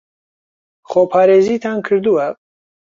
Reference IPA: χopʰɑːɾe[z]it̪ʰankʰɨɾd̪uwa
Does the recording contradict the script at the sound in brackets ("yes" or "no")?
no